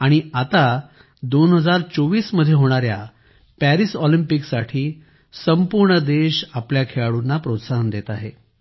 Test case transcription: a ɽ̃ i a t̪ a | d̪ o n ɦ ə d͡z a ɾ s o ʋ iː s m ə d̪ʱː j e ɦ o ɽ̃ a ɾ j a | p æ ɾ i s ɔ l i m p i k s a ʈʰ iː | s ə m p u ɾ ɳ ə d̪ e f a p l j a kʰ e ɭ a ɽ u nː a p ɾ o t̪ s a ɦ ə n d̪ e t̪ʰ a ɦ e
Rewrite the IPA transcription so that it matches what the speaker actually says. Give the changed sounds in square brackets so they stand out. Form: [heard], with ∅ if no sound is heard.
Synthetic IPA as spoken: a ɽ̃ i a t̪ a | d̪ o n ɦ ə d͡z a ɾ [t͡s] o ʋ iː s m ə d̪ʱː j e ɦ o ɽ̃ a ɾ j a | p æ ɾ i s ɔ l i m p i k s a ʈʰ iː | s ə m p u ɾ ɳ ə d̪ e [ɕ] a p l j a kʰ e ɭ a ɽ u nː a p ɾ o t̪ s a ɦ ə n d̪ e [t̪] a ɦ e